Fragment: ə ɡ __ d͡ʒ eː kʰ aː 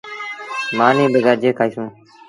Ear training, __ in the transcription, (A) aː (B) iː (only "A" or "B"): A